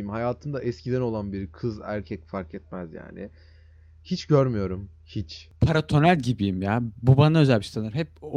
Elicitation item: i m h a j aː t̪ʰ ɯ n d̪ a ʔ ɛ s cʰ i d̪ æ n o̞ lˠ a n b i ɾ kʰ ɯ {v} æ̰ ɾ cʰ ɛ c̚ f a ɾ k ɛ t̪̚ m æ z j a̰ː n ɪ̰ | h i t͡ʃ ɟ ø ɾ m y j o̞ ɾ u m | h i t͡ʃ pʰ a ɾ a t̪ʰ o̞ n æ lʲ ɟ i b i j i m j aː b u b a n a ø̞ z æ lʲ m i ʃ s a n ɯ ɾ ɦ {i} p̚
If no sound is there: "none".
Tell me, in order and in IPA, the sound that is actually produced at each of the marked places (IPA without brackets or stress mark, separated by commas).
z, ɛ